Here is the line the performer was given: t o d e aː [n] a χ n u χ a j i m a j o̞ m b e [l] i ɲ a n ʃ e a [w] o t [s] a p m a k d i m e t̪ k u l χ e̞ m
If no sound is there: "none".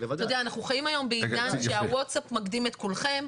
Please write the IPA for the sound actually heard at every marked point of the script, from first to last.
n, none, w, s

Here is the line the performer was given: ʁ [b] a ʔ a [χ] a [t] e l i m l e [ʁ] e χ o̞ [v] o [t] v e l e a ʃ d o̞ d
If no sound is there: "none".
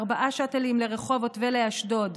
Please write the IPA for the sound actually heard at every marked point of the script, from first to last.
b, ʃ, t, ʁ, v, t

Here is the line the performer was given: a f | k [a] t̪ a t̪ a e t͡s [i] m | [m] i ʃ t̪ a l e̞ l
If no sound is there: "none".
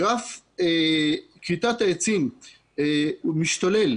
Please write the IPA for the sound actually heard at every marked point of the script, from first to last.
i, i, m

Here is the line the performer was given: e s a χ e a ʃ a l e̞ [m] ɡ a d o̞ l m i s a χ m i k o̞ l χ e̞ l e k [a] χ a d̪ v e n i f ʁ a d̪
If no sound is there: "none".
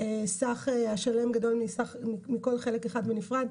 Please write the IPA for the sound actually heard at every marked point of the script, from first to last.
m, e

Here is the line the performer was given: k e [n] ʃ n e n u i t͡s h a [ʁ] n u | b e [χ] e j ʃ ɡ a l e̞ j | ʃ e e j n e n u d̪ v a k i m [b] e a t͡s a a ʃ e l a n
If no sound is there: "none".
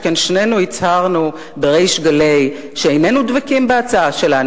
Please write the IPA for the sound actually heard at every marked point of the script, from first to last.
n, ʁ, ʁ, b

